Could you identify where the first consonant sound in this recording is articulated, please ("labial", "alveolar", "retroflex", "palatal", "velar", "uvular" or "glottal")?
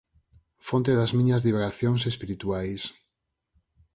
labial